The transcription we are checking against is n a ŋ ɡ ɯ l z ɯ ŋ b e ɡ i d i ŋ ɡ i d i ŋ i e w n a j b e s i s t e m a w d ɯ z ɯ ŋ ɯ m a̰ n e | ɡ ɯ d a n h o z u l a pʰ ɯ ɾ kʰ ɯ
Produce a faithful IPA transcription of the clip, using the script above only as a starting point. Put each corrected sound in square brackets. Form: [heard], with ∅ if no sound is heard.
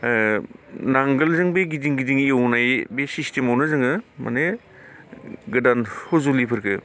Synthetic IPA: n a ŋ ɡ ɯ l z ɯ ŋ b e ɡ i d i ŋ ɡ i d i ŋ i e w n a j b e s i s t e m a w [n] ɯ z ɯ ŋ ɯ m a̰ n e | ɡ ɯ d a n h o z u l [i] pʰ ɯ ɾ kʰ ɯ